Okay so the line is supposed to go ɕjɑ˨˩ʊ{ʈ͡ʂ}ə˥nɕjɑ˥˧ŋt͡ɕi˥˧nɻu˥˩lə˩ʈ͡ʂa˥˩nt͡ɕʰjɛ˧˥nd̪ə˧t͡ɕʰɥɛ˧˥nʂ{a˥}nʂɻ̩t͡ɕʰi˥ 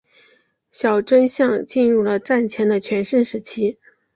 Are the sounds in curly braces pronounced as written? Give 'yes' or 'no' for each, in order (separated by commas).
yes, no